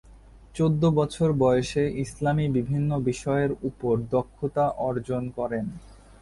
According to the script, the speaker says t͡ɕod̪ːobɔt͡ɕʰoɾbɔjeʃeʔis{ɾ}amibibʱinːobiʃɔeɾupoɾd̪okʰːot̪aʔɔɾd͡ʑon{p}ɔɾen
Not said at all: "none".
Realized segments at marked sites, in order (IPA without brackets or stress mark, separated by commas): l, k